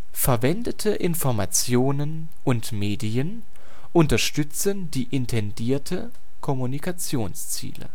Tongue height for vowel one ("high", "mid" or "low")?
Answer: mid